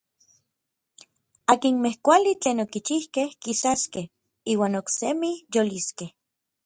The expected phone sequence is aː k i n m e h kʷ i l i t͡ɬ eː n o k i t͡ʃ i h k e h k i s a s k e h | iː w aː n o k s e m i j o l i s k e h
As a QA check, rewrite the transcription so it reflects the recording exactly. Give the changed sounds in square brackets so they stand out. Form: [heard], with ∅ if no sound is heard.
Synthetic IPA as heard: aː k i n m e h kʷ [a] l i t͡ɬ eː n o k i t͡ʃ i h k e h k i s a s k e h | iː w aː n o k s e m i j o l i s k e h